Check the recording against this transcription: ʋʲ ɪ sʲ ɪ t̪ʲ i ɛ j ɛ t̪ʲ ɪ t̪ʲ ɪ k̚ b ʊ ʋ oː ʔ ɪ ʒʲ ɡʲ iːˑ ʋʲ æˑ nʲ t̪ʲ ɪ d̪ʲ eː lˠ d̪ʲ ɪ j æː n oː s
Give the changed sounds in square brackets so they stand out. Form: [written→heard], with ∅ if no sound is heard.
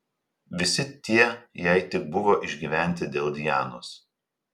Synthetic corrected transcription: ʋʲ ɪ sʲ ɪ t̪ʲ i ɛ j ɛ [t̪ʲ→∅] ɪ t̪ʲ ɪ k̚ b ʊ ʋ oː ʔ ɪ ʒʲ ɡʲ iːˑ ʋʲ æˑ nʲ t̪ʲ ɪ d̪ʲ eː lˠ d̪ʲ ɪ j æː n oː s